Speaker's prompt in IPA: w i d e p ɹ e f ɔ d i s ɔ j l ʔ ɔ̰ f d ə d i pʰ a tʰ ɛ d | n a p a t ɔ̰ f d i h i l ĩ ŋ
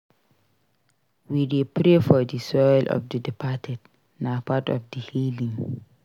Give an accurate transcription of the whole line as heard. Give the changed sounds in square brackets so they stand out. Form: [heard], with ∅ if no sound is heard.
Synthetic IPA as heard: w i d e p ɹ e f ɔ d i s ɔ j l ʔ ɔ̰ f d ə d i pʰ a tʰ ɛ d | n a p a t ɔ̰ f d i h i l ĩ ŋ